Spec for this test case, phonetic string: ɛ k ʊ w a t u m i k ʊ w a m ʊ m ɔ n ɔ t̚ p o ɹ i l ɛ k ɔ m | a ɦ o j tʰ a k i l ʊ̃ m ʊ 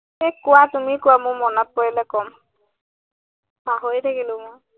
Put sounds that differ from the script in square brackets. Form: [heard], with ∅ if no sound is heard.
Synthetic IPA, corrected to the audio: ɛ k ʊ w a t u m i k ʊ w a m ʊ m ɔ n ɔ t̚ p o ɹ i l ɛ k ɔ m | a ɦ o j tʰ a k i l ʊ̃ m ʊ